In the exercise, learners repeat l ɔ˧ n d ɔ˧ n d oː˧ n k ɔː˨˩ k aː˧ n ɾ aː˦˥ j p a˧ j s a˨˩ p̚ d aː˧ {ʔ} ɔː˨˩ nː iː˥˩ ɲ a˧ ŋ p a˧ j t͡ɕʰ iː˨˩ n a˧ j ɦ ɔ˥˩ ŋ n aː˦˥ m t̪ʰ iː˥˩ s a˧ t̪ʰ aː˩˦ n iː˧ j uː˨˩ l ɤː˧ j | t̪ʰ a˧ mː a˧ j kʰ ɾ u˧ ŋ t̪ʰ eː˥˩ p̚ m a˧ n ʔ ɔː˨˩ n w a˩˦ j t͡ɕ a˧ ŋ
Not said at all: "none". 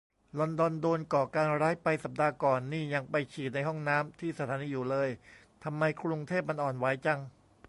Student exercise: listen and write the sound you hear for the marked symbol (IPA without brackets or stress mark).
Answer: k